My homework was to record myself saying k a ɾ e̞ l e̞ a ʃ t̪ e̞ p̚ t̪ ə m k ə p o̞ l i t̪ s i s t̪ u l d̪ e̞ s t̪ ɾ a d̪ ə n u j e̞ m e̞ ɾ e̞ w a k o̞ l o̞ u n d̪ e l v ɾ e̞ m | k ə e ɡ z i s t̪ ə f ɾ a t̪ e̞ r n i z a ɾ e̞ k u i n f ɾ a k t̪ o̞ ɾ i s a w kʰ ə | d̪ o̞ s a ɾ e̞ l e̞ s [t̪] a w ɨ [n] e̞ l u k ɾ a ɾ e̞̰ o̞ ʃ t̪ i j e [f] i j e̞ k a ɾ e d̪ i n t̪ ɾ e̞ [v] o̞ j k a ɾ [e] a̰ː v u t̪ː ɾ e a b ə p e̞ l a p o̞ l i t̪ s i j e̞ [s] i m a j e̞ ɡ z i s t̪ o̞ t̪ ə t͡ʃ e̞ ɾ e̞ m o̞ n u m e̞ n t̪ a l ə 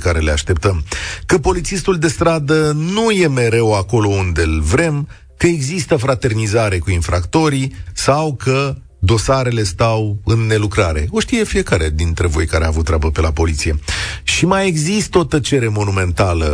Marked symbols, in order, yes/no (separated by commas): yes, no, yes, yes, yes, no